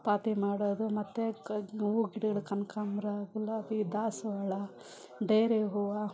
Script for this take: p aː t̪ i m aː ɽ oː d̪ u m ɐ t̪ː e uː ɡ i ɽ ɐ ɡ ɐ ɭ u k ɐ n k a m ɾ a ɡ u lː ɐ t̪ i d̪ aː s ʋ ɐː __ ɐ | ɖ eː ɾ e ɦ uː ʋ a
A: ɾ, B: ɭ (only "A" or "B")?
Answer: B